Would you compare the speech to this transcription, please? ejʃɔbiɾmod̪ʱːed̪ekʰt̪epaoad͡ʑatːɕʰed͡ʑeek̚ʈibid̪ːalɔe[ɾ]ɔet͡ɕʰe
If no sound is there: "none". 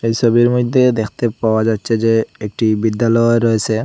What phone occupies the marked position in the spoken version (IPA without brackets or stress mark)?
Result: ɾ